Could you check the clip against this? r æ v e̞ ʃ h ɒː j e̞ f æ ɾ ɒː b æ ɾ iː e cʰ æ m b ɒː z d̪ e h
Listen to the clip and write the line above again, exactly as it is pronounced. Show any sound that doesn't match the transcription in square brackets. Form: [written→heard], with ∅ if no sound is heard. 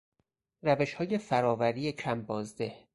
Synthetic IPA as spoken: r æ v e̞ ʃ h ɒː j e̞ f æ ɾ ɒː [b→v] æ ɾ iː e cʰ æ m b ɒː z d̪ e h